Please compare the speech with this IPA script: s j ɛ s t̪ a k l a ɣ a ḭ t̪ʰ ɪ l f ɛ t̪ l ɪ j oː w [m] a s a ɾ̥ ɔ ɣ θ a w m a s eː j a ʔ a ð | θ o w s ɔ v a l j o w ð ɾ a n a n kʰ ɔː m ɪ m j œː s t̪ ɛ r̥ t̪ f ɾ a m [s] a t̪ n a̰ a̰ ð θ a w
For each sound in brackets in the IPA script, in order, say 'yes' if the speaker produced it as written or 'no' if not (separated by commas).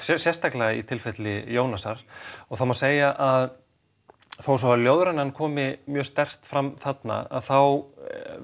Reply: no, no